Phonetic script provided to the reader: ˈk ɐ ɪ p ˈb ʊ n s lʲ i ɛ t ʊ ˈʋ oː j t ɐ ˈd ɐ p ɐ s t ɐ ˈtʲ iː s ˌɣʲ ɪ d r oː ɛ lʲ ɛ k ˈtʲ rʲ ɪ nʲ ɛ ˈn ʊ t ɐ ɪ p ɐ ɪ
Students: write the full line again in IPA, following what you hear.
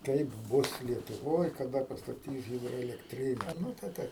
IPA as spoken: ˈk ɐ ɪ p ˈb ʊ s lʲ i ɛ t ʊ ˈʋ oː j k ɐ ˈd ɐ p ɐ s t ɐ ˈtʲ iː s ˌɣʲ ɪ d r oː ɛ lʲ ɛ k ˈtʲ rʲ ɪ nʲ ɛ ˈn ʊ t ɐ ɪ t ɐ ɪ